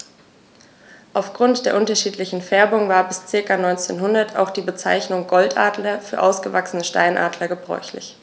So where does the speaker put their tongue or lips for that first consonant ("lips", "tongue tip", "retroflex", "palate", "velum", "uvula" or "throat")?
throat